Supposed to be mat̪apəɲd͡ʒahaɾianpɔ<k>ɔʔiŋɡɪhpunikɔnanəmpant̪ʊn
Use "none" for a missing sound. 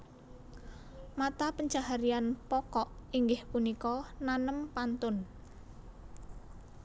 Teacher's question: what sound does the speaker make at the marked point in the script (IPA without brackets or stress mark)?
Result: k